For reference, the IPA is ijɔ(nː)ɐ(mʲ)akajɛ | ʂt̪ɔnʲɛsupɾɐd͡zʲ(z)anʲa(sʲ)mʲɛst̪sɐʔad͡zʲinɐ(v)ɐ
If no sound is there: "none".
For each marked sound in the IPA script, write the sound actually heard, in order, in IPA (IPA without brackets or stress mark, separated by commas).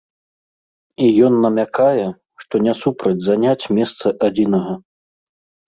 nː, mʲ, z, t͡sʲ, ɣ